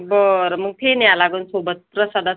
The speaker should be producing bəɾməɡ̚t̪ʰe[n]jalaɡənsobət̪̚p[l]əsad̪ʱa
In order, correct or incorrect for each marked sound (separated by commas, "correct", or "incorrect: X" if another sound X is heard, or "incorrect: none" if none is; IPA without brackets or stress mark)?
correct, incorrect: ɾ